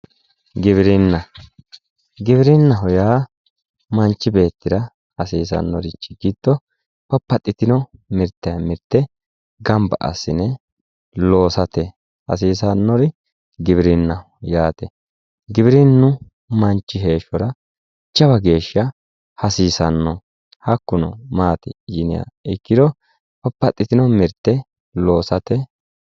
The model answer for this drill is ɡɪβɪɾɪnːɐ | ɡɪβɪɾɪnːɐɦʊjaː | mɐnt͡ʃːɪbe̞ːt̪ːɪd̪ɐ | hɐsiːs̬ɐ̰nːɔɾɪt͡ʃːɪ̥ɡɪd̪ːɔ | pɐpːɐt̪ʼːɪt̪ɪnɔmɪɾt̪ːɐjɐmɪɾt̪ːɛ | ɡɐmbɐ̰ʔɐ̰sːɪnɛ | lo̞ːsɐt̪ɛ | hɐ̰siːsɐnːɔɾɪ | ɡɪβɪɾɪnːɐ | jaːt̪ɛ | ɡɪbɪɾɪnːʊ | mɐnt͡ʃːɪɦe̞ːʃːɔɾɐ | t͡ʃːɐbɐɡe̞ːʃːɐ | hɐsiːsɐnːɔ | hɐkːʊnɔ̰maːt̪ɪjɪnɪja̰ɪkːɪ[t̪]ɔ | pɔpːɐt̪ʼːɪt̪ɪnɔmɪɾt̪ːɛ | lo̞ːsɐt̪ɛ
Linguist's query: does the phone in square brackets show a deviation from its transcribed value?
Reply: yes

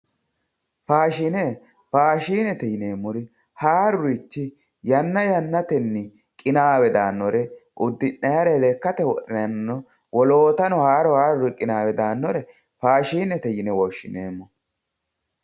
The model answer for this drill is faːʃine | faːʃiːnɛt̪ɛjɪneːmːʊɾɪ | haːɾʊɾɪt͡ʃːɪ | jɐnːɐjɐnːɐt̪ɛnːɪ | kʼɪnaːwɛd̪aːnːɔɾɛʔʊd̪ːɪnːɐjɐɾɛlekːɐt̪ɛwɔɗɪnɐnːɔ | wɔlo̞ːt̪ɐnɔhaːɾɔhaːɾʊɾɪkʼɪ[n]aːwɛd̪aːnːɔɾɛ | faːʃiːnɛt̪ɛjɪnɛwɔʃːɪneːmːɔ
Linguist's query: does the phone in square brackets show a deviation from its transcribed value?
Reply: no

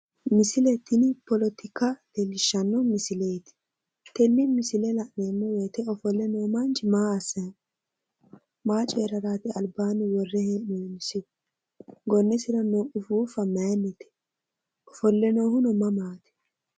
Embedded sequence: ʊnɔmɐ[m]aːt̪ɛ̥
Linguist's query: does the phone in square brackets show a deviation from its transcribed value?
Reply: no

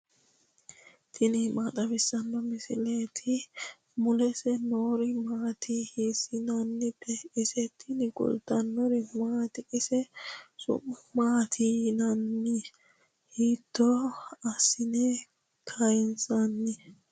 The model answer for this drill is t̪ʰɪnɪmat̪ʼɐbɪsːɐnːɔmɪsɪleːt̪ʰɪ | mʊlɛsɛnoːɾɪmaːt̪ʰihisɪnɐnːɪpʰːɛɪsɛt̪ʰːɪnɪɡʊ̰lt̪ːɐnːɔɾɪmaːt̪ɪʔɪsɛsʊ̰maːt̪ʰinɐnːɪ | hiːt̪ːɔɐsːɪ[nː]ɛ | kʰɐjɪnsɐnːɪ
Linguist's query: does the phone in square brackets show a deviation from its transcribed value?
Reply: yes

